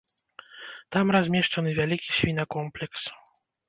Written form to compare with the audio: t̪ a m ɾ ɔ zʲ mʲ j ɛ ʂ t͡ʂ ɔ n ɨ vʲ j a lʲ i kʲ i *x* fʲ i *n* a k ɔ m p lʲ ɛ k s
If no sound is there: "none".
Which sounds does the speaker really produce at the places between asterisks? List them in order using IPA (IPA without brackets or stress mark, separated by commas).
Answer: ɕ, n